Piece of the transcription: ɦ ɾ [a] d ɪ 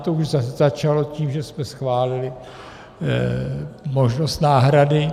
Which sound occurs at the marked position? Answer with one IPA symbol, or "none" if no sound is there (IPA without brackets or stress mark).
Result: a